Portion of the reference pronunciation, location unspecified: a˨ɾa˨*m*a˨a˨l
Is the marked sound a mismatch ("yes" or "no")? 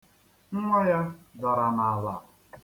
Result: yes